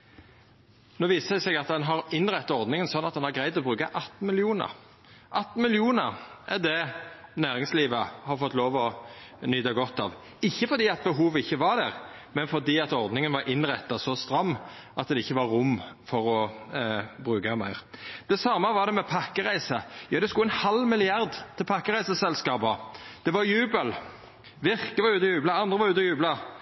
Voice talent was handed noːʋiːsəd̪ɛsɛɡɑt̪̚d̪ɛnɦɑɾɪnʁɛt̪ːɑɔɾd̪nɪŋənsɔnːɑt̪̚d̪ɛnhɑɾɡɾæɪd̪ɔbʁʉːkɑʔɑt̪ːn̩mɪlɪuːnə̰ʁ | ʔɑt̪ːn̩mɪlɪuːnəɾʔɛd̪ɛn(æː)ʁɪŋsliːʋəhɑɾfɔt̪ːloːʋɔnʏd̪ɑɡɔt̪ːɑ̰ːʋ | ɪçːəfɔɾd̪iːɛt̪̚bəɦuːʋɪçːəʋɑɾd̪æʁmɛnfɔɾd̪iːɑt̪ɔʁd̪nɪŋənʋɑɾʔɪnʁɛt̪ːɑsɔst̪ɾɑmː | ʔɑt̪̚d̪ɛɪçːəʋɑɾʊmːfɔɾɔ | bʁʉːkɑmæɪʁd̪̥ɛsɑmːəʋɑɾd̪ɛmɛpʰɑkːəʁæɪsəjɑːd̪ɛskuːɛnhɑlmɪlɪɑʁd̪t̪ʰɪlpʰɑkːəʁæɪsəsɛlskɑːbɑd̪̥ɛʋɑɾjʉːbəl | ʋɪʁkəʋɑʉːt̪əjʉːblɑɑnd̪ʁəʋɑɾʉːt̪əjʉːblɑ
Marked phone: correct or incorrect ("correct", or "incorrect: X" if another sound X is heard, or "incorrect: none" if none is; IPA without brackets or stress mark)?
correct